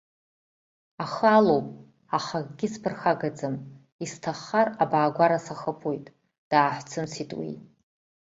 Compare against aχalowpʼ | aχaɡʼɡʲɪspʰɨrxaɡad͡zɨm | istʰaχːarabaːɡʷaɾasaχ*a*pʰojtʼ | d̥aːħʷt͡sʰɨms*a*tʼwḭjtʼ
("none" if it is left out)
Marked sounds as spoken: ə, i

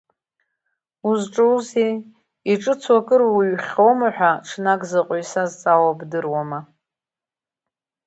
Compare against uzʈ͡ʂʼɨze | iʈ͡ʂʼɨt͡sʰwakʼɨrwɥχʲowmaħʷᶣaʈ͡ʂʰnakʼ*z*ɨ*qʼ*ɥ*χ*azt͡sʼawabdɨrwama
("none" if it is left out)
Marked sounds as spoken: z, qʼ, s

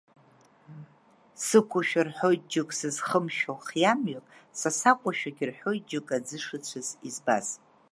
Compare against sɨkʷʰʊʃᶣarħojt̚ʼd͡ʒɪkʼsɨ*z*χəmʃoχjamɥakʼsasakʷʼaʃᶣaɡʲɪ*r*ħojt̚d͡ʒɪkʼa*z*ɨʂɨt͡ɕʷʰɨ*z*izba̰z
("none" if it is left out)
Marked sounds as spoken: z, r, d͡z, z

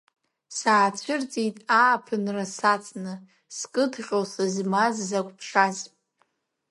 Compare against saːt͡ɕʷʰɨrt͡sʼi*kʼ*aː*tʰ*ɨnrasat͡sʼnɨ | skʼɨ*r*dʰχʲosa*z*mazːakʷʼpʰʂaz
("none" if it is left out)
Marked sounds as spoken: tʼ, pʰ, none, z

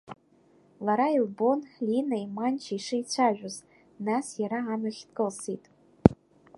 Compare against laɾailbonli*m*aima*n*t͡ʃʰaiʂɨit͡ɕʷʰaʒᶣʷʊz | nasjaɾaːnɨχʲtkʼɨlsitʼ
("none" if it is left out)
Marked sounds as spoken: n, n

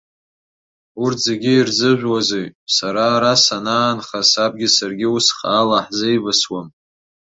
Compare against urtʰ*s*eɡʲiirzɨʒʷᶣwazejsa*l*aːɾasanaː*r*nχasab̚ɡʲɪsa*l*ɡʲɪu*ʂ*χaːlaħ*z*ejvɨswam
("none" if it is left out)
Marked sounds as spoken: z, ɾ, none, r, s, z

